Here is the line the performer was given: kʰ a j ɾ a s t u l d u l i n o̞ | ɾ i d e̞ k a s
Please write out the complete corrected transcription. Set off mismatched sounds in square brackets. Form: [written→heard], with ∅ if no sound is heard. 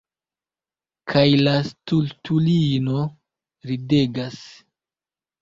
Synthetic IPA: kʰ a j [ɾ→l] a s t u l [d→t] u l i n o̞ | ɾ i d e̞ [k→ɡ] a s